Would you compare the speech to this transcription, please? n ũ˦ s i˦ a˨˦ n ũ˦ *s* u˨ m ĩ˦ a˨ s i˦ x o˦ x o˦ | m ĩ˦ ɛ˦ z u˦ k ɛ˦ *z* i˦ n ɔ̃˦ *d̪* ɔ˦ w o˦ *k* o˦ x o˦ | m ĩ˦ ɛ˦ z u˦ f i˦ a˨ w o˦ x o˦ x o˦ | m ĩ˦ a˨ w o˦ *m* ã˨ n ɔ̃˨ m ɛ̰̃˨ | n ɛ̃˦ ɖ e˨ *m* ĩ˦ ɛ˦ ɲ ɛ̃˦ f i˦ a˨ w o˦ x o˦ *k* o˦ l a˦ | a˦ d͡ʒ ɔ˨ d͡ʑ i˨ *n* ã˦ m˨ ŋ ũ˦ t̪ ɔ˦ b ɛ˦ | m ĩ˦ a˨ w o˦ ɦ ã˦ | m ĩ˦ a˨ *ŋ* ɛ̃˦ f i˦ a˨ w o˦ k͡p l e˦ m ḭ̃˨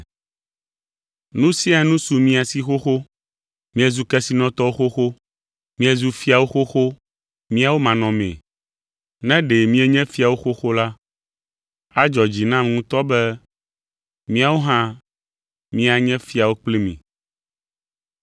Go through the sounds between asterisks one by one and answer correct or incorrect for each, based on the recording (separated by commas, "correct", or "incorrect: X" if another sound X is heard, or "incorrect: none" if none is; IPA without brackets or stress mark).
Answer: correct, incorrect: s, incorrect: t̪, incorrect: x, correct, correct, incorrect: x, correct, incorrect: ɲ